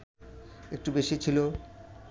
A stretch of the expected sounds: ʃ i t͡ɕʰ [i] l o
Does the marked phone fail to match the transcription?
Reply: no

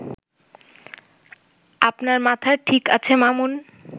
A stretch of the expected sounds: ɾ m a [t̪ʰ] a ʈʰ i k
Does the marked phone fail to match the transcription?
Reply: no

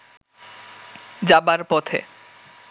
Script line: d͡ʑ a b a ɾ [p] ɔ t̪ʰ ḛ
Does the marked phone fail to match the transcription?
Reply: no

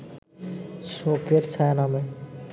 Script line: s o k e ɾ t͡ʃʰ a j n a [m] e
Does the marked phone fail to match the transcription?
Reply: no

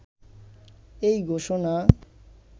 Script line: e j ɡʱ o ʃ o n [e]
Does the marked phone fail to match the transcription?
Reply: yes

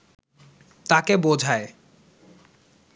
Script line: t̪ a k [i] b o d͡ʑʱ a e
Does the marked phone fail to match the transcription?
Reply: yes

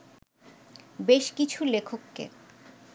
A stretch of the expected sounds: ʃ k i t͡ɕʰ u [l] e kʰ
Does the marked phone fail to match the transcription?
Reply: no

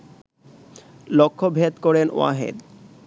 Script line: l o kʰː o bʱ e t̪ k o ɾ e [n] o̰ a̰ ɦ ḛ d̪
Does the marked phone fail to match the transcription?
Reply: no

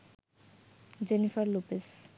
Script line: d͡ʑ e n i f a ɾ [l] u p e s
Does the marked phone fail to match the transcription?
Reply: no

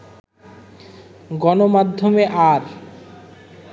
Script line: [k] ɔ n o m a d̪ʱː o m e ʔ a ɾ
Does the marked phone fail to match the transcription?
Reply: yes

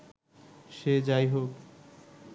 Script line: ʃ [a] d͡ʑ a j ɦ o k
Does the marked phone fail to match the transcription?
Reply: yes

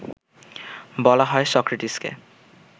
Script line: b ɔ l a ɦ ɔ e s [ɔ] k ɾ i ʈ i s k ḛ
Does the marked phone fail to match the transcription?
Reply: no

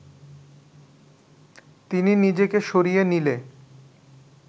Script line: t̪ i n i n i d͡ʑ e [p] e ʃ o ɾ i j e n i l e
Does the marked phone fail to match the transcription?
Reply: yes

